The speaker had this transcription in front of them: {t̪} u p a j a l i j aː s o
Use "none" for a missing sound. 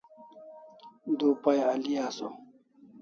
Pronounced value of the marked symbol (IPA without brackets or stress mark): d̪